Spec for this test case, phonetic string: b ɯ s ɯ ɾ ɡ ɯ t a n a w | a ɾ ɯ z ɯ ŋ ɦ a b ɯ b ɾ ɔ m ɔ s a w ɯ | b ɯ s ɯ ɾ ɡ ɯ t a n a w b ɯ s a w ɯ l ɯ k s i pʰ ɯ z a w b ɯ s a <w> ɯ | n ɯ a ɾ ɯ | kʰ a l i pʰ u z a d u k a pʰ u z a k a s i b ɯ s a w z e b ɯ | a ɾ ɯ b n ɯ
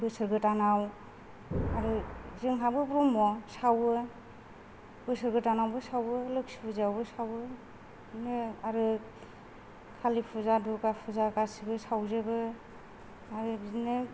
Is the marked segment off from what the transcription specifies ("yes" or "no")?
no